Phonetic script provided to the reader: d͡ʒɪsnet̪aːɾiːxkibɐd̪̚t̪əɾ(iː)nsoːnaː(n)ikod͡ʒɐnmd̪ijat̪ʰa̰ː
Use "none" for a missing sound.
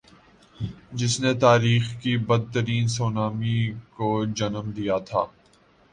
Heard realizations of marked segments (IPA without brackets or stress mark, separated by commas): iː, m